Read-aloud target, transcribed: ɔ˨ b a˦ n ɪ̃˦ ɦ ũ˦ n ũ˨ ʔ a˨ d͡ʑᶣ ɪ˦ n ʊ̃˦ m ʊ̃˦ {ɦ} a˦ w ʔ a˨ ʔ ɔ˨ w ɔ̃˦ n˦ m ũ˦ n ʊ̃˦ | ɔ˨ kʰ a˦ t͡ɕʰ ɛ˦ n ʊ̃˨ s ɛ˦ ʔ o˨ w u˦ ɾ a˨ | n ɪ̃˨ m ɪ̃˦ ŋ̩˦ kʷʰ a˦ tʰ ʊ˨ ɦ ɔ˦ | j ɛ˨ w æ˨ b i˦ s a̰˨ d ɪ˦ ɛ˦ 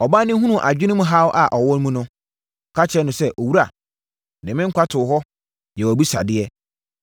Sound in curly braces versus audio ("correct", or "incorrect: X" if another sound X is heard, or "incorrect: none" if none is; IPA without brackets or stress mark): correct